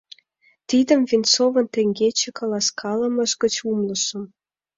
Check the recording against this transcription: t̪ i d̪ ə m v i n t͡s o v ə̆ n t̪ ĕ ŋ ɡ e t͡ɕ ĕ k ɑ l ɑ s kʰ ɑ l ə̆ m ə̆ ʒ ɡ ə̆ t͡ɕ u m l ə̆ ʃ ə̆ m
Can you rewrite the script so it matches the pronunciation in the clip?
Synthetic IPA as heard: t̪ i d̪ ə m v i n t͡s o v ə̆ n t̪ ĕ ŋ ɡ e t͡ɕ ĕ k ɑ l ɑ s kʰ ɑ l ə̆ m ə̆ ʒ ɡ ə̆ t͡ɕ u m l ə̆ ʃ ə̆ m